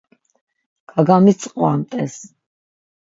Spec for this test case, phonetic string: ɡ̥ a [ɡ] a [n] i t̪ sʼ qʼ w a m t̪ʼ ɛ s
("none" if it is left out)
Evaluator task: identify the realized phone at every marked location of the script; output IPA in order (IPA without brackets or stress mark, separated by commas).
ɡ, m